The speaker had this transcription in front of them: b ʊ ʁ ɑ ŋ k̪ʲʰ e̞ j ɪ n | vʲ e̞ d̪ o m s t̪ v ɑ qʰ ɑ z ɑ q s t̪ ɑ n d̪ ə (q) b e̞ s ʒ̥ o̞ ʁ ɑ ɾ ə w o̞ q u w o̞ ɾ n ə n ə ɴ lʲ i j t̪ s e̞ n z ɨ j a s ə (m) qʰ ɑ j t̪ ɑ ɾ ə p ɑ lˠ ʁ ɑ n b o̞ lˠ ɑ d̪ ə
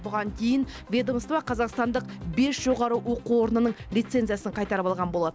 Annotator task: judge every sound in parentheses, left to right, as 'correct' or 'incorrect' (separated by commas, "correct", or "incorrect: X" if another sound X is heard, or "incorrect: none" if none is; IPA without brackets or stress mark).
correct, incorrect: ɴ